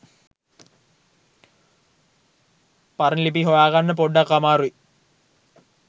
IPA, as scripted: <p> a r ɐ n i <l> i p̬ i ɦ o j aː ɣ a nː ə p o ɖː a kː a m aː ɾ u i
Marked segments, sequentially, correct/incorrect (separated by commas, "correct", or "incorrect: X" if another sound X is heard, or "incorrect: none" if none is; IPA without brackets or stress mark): correct, correct